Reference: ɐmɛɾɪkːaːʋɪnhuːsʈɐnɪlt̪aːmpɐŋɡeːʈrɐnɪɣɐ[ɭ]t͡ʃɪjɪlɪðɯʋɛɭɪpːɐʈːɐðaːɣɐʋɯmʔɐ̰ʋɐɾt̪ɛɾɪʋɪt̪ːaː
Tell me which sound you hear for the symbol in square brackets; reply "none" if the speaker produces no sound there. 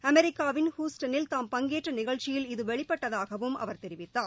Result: ɭ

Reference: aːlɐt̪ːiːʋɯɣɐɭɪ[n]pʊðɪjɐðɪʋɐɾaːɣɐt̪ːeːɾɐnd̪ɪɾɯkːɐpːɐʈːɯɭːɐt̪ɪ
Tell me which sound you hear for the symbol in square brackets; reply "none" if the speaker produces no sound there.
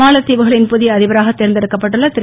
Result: n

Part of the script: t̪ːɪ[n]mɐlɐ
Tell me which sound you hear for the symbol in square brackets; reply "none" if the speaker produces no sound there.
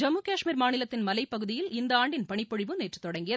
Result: n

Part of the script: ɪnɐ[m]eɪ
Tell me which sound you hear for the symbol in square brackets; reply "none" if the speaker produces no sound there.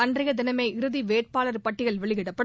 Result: m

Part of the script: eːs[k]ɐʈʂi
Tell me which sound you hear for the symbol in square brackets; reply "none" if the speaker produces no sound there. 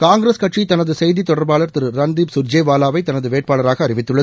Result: k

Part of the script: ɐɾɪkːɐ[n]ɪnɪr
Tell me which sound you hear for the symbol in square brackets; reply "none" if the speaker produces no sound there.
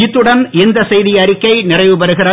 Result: none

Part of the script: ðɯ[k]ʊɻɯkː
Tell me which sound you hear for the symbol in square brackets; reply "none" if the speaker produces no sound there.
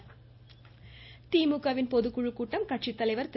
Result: k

